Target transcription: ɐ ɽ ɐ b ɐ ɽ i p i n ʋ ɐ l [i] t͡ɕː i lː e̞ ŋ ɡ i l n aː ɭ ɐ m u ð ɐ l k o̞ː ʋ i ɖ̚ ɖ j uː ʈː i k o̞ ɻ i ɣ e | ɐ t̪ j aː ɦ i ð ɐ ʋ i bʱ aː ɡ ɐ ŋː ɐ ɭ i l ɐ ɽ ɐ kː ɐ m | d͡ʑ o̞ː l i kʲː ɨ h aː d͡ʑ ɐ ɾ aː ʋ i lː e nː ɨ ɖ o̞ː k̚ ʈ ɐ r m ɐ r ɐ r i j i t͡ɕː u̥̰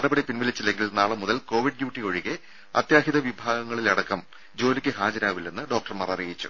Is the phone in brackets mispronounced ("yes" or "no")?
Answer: no